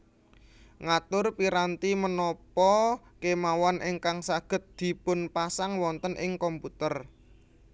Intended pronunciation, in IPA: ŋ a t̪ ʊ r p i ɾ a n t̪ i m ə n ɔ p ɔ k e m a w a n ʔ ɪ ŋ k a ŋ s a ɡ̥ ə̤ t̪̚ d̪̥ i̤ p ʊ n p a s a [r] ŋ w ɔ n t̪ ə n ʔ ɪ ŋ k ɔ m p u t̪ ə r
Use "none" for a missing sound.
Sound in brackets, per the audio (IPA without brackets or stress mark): none